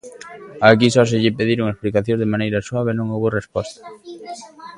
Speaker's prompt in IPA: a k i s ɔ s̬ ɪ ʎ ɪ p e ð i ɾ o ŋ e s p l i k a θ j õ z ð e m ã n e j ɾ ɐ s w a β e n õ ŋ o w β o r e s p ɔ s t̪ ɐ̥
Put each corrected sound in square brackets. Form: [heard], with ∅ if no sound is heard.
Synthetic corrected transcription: a k i s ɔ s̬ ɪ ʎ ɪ p e ð i ɾ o ŋ e s p l i k a θ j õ z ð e m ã n e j ɾ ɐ s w a β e n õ ŋ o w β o r e s p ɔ s t̪ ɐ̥

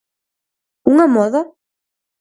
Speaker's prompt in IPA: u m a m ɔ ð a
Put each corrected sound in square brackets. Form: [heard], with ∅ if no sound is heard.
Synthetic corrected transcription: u [ŋ] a m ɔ ð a

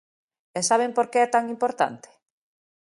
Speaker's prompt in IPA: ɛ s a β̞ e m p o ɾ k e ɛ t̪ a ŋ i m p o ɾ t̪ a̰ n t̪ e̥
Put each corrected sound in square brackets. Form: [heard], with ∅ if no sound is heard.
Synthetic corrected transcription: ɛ s a β̞ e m p o ɾ k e ɛ t̪ a ŋ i m p o ɾ t̪ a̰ n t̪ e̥

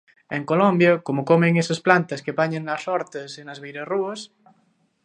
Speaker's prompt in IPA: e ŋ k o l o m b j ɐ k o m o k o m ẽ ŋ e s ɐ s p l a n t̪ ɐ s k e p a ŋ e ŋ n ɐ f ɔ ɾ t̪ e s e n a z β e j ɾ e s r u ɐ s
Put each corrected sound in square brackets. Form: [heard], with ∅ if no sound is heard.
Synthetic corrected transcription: e ŋ k o l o m b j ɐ k o m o k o m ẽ ŋ e s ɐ s p l a n t̪ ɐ s k e p a [ɲ] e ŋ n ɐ [s] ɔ ɾ t̪ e s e n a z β e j ɾ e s r u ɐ s

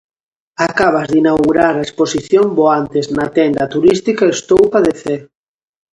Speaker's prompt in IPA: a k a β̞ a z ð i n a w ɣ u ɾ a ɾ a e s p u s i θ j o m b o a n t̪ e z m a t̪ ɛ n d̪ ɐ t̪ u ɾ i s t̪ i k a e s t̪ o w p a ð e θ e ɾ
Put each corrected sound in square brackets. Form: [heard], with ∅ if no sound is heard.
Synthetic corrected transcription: a k a β̞ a z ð i n a w ɣ u ɾ a ɾ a e s p [o] s i θ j o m b o a n t̪ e z [n] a t̪ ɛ n d̪ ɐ t̪ u ɾ i s t̪ i k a e s t̪ o w p a ð e θ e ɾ

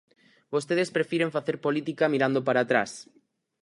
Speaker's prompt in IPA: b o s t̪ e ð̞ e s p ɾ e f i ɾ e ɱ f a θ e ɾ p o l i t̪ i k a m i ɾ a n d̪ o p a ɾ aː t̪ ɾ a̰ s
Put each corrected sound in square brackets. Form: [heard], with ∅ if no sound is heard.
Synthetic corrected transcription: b o s t̪ e ð̞ e s p ɾ e f i ɾ e ɱ f a θ e ɾ p o l i t̪ i k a m i ɾ a n d̪ o p a ɾ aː t̪ ɾ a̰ s

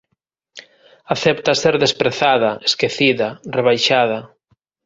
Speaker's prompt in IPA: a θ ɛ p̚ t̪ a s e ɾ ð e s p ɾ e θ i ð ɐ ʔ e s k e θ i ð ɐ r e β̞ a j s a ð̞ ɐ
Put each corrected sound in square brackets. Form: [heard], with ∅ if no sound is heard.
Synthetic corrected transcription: a θ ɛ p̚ t̪ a s e ɾ ð e s p ɾ e θ [a] ð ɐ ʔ e s k e θ i ð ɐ r e β̞ a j [ʃ] a ð̞ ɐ

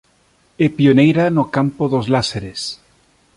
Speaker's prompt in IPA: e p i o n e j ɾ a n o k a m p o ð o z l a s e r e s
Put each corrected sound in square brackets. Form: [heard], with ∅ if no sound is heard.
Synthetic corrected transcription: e p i o n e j ɾ a n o k a m p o ð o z l a s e [ɾ] e s

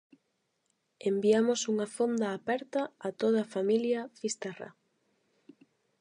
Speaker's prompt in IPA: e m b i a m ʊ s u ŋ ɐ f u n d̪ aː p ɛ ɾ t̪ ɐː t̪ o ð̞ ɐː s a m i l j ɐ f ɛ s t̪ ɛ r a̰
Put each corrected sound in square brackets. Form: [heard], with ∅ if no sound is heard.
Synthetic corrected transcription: e m b i a m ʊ s u ŋ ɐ f [o] n d̪ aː p ɛ ɾ t̪ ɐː t̪ o ð̞ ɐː [f] a m i l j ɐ f [i] s t̪ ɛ r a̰

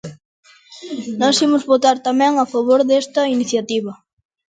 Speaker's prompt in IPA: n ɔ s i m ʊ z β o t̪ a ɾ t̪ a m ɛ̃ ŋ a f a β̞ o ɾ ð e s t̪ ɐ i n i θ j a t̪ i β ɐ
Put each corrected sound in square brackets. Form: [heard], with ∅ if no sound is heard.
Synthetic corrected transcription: n ɔ s i m ʊ z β o t̪ a ɾ t̪ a m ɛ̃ ŋ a f a β̞ o ɾ ð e s t̪ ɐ i n i θ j a t̪ i β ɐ

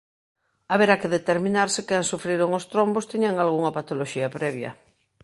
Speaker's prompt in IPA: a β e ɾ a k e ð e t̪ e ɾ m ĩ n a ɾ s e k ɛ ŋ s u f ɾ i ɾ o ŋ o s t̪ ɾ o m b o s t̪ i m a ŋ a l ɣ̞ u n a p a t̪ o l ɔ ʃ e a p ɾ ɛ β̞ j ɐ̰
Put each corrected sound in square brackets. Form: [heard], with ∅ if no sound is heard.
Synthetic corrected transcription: a β e ɾ a k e ð e t̪ e ɾ m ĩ n a ɾ s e k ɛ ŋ s u f ɾ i ɾ o ŋ o s t̪ ɾ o m b o s t̪ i [ɲ] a ŋ a l ɣ̞ u [ŋ] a p a t̪ o l [o] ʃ [i] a p ɾ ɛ β̞ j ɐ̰

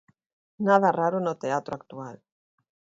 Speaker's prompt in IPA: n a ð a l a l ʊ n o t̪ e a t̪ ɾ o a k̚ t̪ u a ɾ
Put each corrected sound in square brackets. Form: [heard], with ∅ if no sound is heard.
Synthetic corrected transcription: n a ð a [r] a [ɾ] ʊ n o t̪ e a t̪ ɾ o a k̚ t̪ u a [l]

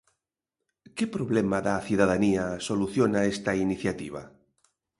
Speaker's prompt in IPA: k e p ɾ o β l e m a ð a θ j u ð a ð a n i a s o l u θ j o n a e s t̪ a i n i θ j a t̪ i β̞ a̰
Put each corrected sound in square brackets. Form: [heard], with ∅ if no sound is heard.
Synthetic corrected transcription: k e p ɾ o β l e m a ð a θ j u ð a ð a n i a s o l u θ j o n a e s t̪ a i n i θ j a t̪ i β̞ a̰

